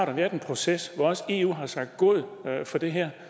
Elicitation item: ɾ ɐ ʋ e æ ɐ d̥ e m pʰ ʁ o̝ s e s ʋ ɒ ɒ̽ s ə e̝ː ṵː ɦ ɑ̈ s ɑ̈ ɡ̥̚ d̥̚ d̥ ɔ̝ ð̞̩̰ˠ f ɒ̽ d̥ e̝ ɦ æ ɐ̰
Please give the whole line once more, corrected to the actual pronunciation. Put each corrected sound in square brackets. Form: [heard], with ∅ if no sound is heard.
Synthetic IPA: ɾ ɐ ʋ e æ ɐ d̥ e [n] pʰ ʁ o̝ s e s ʋ ɒ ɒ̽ s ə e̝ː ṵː ɦ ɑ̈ s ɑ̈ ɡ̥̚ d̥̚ [ɡ̥] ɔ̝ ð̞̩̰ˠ f ɒ̽ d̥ e̝ ɦ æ ɐ̰